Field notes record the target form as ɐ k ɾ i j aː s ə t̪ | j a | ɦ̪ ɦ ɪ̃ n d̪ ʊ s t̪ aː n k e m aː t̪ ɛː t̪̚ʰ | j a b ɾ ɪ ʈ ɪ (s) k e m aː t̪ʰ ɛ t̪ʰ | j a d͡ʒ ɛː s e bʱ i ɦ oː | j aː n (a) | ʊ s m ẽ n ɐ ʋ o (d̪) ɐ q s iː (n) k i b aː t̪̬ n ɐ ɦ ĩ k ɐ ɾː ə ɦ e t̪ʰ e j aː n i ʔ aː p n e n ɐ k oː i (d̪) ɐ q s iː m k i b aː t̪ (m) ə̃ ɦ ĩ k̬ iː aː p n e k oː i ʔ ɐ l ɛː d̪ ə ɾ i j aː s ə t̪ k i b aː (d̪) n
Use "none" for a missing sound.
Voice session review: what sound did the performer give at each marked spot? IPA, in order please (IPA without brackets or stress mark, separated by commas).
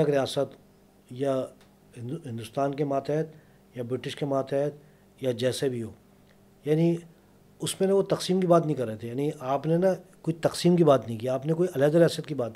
ʃ, i, t̪, m, t̪, n, t̪